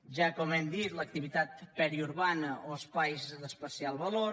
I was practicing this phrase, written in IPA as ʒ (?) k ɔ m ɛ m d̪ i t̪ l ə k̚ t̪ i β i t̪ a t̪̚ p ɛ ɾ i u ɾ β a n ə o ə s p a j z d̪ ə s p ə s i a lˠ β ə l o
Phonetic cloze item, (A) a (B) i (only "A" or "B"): A